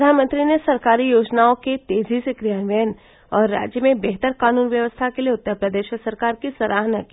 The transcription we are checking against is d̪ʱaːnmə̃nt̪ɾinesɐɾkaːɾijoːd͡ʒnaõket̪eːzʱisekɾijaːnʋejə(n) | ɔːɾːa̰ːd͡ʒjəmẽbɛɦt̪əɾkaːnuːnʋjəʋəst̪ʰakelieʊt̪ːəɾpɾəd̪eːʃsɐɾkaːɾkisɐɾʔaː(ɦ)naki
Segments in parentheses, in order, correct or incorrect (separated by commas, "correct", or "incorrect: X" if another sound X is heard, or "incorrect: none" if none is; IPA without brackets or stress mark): correct, correct